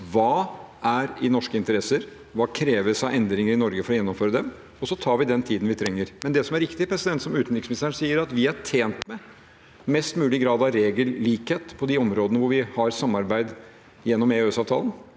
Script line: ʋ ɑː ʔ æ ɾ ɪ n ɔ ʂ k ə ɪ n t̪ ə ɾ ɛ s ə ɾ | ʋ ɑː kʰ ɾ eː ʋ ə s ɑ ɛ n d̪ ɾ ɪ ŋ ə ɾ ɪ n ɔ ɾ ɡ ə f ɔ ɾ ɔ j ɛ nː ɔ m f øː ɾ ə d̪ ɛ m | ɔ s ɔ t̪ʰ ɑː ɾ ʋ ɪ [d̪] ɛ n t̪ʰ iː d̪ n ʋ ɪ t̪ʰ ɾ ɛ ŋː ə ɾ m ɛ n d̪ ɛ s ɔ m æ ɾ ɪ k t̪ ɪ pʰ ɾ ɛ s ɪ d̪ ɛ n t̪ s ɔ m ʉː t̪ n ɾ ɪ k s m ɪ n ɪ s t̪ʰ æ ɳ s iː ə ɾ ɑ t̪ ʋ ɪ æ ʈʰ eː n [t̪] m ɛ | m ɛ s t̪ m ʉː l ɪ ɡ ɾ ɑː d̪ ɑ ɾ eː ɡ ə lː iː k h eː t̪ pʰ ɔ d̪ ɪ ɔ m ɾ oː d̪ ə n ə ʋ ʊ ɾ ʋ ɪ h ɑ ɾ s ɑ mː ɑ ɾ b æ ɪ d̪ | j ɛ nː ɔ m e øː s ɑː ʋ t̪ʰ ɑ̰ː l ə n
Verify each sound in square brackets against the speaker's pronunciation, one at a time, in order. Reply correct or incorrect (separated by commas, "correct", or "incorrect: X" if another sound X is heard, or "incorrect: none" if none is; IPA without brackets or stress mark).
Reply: correct, correct